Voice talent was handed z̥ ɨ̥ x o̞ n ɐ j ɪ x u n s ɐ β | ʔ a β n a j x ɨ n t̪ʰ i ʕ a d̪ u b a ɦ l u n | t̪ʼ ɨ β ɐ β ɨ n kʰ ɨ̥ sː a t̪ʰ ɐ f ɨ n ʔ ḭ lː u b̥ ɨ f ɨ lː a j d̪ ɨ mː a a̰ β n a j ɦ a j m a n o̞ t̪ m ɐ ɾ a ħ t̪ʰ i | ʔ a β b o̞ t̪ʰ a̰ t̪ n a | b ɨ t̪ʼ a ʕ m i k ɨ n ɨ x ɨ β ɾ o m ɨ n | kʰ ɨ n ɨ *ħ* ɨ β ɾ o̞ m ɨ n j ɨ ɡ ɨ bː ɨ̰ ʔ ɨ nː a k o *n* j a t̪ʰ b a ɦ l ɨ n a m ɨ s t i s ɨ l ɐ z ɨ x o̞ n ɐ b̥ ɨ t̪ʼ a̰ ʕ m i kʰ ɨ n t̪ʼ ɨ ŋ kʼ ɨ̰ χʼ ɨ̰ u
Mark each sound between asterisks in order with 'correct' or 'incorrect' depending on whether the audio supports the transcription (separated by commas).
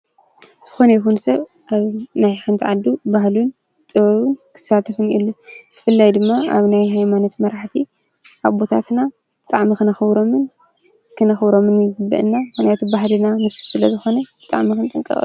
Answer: incorrect, correct